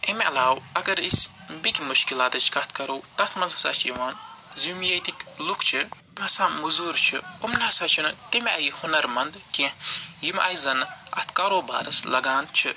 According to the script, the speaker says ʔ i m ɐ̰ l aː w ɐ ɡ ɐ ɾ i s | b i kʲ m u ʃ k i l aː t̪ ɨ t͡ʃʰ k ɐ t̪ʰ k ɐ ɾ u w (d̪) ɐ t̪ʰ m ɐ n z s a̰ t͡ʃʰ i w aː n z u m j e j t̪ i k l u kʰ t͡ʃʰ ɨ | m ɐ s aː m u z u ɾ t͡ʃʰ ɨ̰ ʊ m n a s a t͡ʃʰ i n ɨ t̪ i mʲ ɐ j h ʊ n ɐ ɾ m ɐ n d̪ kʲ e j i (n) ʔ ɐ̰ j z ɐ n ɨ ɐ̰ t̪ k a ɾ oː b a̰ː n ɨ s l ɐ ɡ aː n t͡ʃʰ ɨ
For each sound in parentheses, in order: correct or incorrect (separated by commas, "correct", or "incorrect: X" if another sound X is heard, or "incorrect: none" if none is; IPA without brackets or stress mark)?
incorrect: t̪, incorrect: m